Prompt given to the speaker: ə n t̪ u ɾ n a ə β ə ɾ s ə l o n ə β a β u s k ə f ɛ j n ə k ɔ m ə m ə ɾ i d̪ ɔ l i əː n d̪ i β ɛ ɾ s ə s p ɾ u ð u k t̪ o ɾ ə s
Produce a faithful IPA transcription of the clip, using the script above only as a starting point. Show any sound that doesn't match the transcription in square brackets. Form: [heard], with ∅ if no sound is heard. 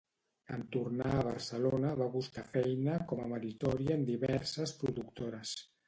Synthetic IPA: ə n t̪ u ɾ n a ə β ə ɾ s ə l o n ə β a β u s k [a] f ɛ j n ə k ɔ m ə m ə ɾ i [t̪] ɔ [ɾ] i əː n d̪ i β ɛ ɾ s ə s p ɾ u ð u k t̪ o ɾ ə s